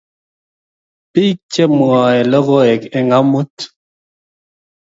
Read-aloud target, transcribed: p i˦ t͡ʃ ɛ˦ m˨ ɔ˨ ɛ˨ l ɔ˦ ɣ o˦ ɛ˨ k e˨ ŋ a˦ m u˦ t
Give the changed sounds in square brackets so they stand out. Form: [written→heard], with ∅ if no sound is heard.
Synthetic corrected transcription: p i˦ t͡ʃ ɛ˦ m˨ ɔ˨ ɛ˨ l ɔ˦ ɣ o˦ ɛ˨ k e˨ ŋ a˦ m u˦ t